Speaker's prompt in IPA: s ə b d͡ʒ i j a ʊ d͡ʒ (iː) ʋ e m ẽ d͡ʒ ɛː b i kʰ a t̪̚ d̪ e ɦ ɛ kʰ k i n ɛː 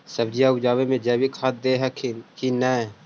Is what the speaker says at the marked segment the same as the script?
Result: no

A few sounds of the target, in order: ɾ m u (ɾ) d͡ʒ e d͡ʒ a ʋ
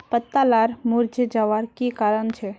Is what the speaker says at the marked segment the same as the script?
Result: yes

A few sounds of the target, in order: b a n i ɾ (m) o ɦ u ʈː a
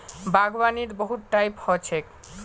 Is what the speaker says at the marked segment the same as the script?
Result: no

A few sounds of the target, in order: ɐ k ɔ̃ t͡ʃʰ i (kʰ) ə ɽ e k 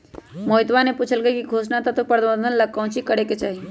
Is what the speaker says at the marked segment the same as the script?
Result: no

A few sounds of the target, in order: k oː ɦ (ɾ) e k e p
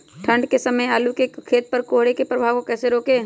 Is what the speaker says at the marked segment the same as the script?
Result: no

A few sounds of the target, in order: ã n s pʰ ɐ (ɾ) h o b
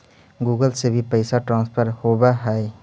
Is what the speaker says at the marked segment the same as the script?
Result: yes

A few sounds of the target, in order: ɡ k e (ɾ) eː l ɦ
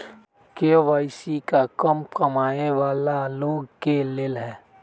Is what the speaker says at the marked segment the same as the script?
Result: no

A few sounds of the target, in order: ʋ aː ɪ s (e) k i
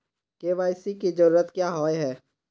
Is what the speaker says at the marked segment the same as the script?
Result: no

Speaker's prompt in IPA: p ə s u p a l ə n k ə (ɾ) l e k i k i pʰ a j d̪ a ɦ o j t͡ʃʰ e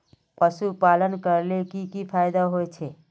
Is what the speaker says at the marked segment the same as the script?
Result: yes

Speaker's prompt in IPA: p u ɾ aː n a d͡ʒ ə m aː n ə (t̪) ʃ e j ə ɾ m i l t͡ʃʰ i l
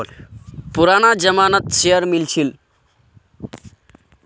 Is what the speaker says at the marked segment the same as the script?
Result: yes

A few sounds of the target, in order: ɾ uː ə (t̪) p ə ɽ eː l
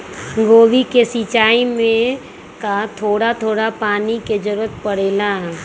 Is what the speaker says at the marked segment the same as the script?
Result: yes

